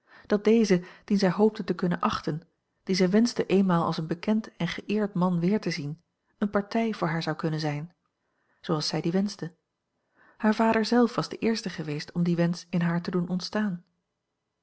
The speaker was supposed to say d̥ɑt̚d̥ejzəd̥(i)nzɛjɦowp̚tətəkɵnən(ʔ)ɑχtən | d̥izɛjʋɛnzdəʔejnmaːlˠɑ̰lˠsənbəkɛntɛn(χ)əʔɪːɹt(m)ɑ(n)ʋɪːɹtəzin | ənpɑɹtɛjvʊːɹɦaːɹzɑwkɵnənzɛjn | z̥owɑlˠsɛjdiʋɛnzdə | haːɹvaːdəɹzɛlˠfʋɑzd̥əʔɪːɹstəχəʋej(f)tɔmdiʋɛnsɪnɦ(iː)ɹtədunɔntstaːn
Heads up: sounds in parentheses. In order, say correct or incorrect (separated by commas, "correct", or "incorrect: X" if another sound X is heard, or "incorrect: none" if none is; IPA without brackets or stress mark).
correct, correct, correct, correct, correct, incorrect: s, incorrect: aː